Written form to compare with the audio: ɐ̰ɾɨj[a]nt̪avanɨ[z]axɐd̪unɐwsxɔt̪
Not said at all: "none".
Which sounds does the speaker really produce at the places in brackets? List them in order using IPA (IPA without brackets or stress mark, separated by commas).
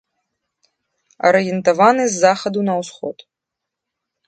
ɛ, zː